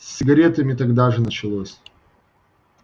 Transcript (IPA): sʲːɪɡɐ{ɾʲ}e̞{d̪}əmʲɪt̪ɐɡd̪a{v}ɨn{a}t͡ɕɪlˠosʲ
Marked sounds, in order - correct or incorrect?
correct, incorrect: t̪, incorrect: ʐ, incorrect: ə

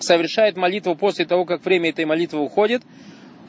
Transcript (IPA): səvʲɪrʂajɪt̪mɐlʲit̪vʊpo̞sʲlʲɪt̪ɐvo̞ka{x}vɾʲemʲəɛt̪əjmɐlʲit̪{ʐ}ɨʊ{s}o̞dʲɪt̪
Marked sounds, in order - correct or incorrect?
incorrect: k, incorrect: v, incorrect: x

